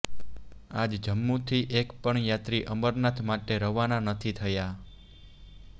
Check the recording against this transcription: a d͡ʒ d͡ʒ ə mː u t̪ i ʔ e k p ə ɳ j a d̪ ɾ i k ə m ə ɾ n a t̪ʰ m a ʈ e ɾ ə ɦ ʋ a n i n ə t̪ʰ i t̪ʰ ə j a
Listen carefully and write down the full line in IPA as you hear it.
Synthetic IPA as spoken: a d͡ʒ d͡ʒ ə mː u t̪ʰ i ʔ e k p ə ɳ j a t̪ ɾ i ʔ ə m ə ɾ n a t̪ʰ m a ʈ e ɾ ə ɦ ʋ a n a n ə t̪ʰ i t̪ʰ ə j a

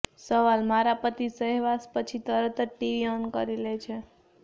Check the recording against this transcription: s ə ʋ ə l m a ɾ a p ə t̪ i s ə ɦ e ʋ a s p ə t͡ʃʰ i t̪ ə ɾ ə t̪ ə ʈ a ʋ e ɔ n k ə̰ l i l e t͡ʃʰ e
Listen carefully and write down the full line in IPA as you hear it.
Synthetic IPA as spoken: s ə ʋ a l m a ɾ a p ə t̪ i s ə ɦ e ʋ a s p ə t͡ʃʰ i t̪ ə ɾ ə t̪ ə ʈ i ʋ i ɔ n k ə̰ ɾ i l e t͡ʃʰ e

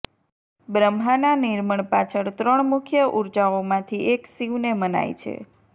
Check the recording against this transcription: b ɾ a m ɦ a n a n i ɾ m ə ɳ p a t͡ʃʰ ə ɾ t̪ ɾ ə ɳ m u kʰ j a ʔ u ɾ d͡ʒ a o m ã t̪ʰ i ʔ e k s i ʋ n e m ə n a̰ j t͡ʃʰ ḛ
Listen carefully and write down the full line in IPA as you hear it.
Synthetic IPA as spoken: b ɾ ə m ɦ a n a n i ɾ m ə ɳ p a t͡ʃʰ ə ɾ t̪ ɾ ə ɳ m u kʰ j ə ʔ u ɾ d͡ʒ a o m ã t̪ʰ i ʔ e k s i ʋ n e m ə n a̰ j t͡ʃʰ ḛ

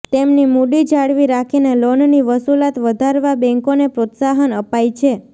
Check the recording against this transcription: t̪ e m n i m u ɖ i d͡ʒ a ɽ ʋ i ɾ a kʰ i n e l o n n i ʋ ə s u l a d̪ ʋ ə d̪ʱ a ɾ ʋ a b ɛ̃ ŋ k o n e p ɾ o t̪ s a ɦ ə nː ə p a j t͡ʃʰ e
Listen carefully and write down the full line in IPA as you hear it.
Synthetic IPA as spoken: t̪ e m n i m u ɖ i d͡ʒ a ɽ ʋ i ɾ a kʰ i n e l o n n i ʋ ə s u l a t̪ ʋ ə d̪ʱ a ɾ ʋ a b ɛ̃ ŋ k o n e p ɾ o t̪ s a ɦ ə n ə p a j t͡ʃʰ e

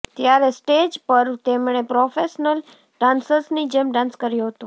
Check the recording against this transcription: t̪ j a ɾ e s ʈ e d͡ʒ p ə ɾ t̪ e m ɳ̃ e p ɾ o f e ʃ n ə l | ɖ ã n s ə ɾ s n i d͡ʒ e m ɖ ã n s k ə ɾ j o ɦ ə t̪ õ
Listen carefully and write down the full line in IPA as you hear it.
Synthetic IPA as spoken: t̪ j a ɾ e s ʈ e d͡ʒ p ə ɾ t̪ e m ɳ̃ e p ɾ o f e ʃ n ə l | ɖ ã n s ə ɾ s n i d͡ʒ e m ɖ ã n s k ə ɾ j o ɦ ə t̪ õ

